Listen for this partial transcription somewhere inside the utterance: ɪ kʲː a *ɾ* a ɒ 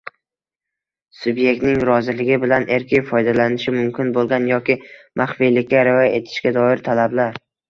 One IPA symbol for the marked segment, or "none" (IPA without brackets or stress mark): ɾ